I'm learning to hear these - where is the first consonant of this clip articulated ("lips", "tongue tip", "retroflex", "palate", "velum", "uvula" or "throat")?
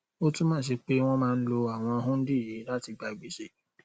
tongue tip